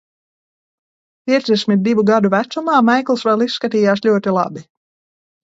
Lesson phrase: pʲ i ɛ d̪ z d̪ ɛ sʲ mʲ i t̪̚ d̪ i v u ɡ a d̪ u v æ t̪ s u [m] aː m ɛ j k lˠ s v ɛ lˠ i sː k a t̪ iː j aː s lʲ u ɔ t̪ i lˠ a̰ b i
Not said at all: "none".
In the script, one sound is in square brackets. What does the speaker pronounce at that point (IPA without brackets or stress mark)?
m